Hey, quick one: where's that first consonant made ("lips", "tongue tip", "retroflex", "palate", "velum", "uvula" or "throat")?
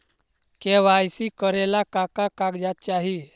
velum